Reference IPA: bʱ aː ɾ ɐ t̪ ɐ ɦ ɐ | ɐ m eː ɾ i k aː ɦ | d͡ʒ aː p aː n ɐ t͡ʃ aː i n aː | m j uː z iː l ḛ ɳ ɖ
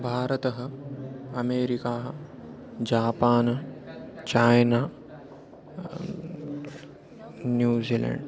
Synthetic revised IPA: bʱ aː ɾ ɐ t̪ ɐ ɦ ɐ | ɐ m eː ɾ i k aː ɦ | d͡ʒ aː p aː n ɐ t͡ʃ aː j n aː | n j uː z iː l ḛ ɳ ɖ